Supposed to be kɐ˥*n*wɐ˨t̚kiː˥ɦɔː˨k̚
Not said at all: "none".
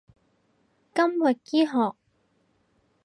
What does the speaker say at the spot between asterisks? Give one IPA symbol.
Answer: m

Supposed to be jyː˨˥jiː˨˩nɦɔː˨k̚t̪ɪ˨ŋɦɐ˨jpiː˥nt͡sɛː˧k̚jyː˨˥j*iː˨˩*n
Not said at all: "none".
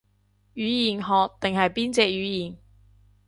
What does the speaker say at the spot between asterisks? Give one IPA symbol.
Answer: iː˨˩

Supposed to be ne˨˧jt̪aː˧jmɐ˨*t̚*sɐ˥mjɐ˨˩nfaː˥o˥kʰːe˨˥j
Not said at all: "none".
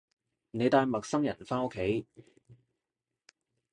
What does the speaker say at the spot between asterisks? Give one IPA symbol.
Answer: k̚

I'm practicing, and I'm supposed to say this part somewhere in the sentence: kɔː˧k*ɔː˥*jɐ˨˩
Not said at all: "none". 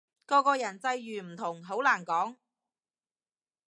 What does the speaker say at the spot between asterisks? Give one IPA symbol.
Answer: ɔː˧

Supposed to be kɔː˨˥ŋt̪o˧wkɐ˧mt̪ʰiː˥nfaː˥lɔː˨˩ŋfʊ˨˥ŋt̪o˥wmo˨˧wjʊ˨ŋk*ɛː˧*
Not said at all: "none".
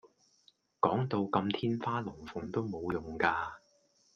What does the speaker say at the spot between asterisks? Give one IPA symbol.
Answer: aː˧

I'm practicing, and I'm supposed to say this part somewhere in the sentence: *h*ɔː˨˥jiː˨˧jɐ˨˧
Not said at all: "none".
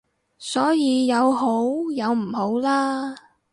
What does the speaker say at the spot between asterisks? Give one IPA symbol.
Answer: s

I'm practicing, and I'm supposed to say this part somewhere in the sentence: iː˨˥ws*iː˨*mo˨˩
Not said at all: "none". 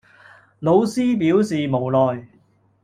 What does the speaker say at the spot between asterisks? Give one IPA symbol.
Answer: iː˨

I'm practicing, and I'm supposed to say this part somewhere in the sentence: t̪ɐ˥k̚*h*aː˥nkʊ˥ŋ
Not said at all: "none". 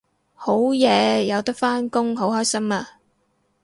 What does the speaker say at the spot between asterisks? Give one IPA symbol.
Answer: f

